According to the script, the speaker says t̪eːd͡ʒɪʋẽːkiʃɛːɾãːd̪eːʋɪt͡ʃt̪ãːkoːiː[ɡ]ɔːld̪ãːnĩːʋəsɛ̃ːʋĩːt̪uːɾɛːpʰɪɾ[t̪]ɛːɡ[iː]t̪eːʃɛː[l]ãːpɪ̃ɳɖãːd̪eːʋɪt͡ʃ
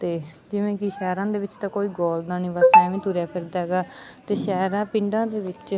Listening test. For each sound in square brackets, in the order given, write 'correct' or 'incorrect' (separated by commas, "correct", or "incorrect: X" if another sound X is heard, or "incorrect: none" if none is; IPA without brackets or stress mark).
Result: correct, incorrect: d̪, incorrect: aː, incorrect: ɾ